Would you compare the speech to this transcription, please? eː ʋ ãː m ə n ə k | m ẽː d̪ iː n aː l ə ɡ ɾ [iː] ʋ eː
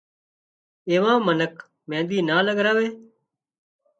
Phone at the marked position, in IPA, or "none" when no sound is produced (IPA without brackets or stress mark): aː